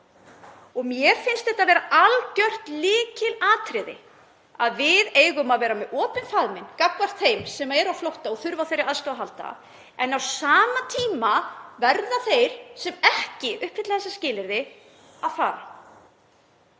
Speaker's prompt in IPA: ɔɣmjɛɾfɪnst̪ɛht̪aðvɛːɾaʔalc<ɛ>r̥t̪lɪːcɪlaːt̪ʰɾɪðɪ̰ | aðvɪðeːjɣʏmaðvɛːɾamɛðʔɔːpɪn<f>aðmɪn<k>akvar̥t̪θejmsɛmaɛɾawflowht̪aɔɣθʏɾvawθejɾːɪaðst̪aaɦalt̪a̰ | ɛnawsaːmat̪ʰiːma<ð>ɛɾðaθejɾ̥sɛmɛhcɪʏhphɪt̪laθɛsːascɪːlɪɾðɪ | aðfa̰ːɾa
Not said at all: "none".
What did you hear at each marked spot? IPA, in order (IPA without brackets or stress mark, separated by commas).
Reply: œ, f, k, v